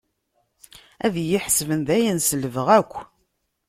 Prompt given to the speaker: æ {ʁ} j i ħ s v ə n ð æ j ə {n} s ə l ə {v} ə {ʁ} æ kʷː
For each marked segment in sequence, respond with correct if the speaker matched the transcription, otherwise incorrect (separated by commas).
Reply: incorrect, correct, correct, correct